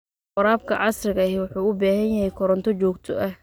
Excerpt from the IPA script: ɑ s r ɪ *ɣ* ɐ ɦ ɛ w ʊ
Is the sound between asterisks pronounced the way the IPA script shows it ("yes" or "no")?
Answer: yes